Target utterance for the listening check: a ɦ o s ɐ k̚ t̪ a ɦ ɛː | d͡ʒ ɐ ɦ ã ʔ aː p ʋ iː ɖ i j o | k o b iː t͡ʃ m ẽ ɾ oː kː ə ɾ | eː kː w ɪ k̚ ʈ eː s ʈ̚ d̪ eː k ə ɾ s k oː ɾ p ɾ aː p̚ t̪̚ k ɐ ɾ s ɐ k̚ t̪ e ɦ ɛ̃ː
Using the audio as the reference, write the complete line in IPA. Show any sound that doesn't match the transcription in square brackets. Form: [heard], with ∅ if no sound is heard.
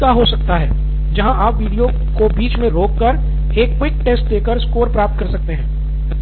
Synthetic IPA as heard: a ɦ o s ɐ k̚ t̪ a ɦ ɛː | d͡ʒ ɐ ɦ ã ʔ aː p ʋ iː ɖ i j o | k o b iː t͡ʃ m ẽ ɾ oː kː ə ɾ | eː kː w ɪ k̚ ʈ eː s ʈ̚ d̪ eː k ə ɾ s k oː ɾ p ɾ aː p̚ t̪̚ k ɐ ɾ s ɐ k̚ t̪ e ɦ ɛ̃ː